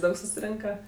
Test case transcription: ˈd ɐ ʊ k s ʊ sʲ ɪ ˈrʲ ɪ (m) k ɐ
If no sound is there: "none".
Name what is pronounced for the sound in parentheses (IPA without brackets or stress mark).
ŋ